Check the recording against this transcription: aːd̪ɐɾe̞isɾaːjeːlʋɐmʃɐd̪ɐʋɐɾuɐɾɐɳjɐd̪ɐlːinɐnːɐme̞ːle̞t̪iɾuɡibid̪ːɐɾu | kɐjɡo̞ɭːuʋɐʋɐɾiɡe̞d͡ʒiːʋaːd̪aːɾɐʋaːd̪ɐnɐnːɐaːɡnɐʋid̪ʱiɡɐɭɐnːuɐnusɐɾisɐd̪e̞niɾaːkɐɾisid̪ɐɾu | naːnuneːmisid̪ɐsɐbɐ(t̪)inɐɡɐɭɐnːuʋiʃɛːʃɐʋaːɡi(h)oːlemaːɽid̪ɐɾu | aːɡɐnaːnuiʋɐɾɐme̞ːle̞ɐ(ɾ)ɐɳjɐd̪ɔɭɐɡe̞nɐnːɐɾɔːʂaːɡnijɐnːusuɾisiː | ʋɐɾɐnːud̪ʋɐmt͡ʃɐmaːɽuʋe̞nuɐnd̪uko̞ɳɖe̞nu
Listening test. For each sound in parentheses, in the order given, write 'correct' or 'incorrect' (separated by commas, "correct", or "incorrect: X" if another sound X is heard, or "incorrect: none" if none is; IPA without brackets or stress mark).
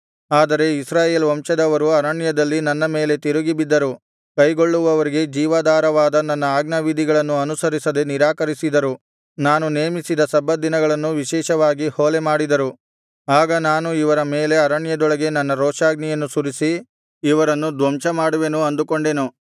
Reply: incorrect: d̪, correct, correct